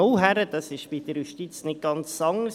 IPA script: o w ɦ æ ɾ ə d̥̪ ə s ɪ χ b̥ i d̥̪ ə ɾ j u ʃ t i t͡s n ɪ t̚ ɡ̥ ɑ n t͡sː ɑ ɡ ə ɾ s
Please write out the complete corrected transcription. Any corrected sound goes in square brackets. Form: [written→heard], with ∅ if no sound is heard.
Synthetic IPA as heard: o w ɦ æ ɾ ə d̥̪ [ə→ɑ] s ɪ [χ→ʃ] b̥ i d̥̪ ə ɾ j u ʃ t i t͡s n ɪ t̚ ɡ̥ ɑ n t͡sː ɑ [ɡ→ŋ] ə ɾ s

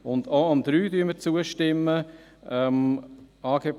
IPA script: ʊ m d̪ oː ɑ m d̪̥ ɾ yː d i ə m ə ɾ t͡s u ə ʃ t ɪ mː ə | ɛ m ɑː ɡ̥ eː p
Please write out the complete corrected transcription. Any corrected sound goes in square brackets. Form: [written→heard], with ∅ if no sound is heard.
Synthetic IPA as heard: ʊ [m→n] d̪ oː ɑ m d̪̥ ɾ yː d [i→y] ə m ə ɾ t͡s u ə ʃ t ɪ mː ə | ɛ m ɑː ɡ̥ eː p

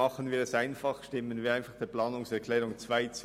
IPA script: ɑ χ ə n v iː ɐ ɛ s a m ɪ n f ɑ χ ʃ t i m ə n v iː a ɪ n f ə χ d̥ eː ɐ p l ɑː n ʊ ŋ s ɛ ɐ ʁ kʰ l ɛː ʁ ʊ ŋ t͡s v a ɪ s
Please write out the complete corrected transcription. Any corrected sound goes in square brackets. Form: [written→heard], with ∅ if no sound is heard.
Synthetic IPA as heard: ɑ χ ə n v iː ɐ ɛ s a [m→∅] ɪ n f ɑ χ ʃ t [i→ɪ] m ə n v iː a ɪ n f [ə→ɑ] χ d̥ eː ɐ p l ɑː n ʊ ŋ s ɛ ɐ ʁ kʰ l ɛː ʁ ʊ ŋ t͡s v a ɪ [s→t͡s]

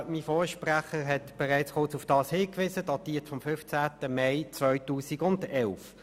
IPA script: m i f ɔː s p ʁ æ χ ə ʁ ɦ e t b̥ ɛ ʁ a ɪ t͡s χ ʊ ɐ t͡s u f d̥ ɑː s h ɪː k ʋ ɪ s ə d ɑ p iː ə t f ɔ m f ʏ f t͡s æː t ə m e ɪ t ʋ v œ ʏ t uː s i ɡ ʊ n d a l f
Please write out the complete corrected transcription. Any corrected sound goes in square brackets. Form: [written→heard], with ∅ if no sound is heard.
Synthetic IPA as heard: m i f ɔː [s→ʃ] p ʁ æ χ ə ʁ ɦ [e→ɛ] t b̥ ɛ ʁ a ɪ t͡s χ ʊ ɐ t͡s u f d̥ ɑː s h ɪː k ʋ ɪ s ə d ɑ [p→t] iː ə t f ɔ m f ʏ f t͡s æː t ə m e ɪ [t→t͡s] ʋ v œ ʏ t uː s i ɡ ʊ n d [a→ɛ] l f

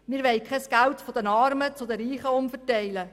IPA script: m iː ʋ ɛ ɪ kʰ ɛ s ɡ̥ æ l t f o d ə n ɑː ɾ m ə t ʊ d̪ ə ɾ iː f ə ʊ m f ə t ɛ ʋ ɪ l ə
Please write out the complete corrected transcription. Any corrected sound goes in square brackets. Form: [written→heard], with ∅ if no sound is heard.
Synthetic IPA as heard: m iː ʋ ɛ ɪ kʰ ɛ s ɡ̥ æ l t f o d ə n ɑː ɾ m ə [t→t͡s] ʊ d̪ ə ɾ iː [f→χ] ə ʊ m f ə t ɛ [ʋ→∅] ɪ l ə

